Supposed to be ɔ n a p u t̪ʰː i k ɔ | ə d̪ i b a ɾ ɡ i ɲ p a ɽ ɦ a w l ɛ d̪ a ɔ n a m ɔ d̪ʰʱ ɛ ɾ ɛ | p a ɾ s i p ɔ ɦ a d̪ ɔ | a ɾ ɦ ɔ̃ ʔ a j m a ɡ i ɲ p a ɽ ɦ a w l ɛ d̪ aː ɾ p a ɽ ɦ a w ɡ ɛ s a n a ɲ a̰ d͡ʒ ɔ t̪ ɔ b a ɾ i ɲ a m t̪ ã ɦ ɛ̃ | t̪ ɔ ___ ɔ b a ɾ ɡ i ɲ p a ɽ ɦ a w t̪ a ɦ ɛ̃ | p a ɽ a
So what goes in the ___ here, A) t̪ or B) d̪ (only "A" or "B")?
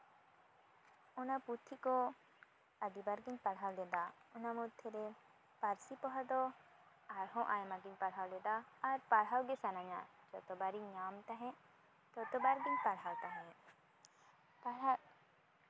A